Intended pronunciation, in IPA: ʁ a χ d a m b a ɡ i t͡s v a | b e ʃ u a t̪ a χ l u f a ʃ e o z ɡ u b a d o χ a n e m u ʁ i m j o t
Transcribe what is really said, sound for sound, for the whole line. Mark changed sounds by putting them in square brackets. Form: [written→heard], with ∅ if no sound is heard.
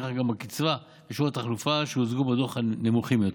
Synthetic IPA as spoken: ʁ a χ [d→ɡ] a m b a [ɡ→k] i t͡s v a | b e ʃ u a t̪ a χ l u f a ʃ e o z ɡ u b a d o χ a n e m u [ʁ→χ] i m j o t